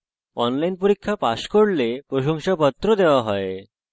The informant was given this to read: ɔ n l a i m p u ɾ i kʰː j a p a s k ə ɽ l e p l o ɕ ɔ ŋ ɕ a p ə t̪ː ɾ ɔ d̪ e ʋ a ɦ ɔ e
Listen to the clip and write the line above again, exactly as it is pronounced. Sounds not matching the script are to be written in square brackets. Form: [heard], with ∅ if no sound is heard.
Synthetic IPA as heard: ɔ n l a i [n] p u ɾ i kʰː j a p a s k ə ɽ l e p [ɾ] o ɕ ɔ ŋ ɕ a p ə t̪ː ɾ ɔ d̪ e ʋ a ɦ ɔ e